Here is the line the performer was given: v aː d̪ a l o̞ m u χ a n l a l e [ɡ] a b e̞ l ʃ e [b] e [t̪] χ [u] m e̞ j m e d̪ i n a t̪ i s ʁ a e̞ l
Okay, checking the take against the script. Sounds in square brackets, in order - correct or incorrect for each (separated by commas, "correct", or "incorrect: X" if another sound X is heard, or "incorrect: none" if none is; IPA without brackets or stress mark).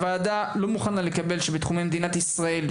incorrect: k, correct, correct, correct